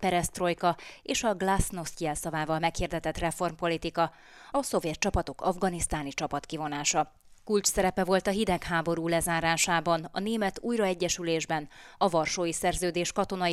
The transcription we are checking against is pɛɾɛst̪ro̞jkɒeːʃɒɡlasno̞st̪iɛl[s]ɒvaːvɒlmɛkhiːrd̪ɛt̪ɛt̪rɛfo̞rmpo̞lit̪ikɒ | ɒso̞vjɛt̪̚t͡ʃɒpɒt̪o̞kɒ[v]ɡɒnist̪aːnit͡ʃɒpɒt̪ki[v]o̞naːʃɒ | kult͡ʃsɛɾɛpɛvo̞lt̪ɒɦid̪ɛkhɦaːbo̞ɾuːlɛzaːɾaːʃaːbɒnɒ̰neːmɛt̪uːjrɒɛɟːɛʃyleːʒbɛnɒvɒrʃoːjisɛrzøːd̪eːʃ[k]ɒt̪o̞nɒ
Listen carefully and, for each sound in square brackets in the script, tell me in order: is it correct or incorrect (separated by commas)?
correct, correct, correct, correct